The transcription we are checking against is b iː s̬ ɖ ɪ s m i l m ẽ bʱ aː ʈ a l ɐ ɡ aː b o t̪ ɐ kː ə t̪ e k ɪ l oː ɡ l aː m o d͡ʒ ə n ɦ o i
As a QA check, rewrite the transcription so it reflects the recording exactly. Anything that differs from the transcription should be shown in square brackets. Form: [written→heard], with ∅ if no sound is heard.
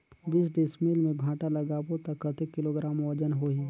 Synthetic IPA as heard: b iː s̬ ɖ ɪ s m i l m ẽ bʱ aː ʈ a l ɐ ɡ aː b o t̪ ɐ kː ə t̪ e k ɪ l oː ɡ [l→ɾ] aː m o d͡ʒ ə n ɦ o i